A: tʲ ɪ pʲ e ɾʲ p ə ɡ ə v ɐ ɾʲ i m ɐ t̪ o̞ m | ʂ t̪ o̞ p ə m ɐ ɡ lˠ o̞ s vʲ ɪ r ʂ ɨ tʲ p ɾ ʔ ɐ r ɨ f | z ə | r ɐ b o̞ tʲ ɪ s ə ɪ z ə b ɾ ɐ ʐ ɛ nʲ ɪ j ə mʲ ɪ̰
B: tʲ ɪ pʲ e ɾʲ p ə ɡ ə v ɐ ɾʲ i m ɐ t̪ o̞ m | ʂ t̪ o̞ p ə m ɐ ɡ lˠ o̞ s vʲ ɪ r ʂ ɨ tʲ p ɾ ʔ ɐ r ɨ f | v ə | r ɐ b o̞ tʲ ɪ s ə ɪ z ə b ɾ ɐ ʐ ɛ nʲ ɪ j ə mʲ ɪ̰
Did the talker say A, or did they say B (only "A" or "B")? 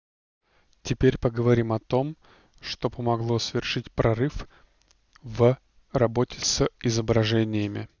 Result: B